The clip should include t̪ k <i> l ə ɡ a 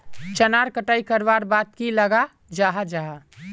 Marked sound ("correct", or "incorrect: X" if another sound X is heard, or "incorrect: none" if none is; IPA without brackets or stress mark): correct